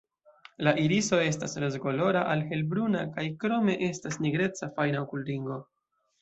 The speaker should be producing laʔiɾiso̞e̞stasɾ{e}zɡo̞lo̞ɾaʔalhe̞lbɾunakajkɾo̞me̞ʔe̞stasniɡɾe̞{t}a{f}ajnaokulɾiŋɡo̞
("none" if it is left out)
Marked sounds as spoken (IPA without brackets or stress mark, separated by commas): e, t͡s, f